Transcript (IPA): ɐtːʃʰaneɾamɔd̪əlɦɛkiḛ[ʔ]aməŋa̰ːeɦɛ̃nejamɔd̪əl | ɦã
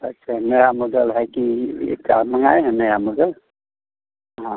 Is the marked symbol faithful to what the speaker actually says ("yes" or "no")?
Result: no